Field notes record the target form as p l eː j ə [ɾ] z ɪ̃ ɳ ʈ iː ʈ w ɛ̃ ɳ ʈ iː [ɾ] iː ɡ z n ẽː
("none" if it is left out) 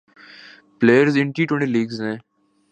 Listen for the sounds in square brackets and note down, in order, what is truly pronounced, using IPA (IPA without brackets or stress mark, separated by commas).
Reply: ɾ, l